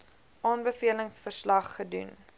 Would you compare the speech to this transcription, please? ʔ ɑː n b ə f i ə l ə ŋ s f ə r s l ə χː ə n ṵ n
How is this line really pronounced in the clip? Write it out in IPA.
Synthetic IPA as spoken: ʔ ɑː n b ə f i ə l ə ŋ s f ə r s l ɐ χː ə d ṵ n